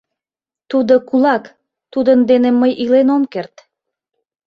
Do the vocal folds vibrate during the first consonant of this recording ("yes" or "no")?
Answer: no